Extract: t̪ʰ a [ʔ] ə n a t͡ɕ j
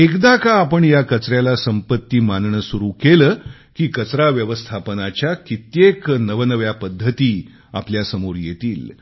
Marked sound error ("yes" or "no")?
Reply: yes